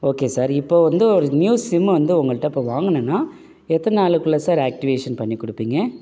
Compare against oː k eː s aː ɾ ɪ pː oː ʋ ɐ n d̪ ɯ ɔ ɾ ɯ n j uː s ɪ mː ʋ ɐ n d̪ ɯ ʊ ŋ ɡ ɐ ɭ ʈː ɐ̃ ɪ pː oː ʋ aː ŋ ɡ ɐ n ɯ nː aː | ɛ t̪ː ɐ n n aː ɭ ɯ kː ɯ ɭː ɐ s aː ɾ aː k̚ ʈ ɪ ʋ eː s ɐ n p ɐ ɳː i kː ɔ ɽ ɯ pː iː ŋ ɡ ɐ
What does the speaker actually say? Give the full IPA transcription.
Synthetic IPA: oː k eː s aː ɾ ɪ pː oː ʋ ɐ n d̪ ɯ ɔ ɾ ɯ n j uː s ɪ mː ʋ ɐ n d̪ ɯ ʊ ŋ ɡ ɐ ɭ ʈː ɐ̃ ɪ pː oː ʋ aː ŋ ɡ ɐ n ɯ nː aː | ɛ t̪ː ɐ n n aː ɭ ɯ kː ɯ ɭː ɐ s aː ɾ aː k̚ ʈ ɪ ʋ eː ʂ ɐ n p ɐ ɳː i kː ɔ ɽ ɯ pː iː ŋ ɡ ɐ